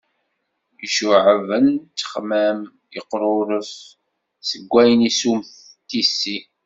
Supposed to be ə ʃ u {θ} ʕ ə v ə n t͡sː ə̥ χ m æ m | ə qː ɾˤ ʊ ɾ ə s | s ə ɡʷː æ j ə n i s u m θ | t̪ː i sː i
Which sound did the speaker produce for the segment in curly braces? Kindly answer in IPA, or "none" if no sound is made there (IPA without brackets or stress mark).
none